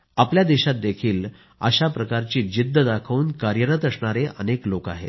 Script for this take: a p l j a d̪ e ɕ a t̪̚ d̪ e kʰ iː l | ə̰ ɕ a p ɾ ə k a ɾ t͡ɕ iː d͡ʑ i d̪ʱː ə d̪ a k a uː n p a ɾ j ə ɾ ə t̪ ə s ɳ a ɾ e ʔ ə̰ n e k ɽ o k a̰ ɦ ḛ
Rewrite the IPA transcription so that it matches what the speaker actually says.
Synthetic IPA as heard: a p l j a d̪ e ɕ a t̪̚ d̪ e kʰ iː l | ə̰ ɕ a p ɾ ə k a ɾ t͡ɕ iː d͡ʑ i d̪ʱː ə d̪ a kʰ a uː n k a ɾ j ə ɾ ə t̪ ə s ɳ a ɾ e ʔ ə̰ n e k l o k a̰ ɦ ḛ